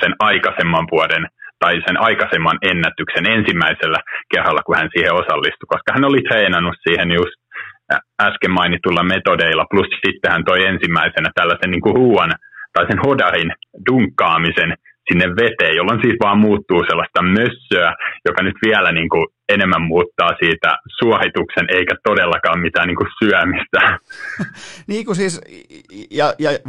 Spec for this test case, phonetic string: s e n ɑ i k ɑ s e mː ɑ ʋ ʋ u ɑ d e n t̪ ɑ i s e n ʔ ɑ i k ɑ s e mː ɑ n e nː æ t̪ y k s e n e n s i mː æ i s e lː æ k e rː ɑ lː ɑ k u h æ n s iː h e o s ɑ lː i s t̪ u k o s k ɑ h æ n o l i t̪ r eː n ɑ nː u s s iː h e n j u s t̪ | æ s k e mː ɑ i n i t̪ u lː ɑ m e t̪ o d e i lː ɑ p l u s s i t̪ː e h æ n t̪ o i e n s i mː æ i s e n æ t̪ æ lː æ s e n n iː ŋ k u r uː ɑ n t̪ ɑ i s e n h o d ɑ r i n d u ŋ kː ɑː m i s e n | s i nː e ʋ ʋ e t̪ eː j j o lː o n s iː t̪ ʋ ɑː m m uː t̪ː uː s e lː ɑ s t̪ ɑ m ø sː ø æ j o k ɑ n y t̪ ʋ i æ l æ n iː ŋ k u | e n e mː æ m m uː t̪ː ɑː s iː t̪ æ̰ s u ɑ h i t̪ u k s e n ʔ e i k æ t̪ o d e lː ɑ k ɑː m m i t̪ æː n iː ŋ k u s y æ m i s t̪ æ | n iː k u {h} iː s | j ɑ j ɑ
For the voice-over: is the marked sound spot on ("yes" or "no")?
no